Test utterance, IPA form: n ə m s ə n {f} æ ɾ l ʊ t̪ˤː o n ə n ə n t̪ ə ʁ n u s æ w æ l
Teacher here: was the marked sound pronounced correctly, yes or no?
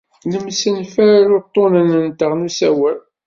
yes